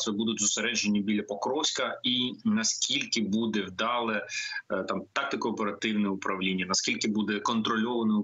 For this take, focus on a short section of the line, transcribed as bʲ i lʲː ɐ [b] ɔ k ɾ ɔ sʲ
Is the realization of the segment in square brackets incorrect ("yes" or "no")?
yes